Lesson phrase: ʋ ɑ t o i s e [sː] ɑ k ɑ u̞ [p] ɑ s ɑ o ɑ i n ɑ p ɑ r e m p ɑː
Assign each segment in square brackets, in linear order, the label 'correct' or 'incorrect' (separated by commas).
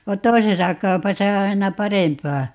incorrect, correct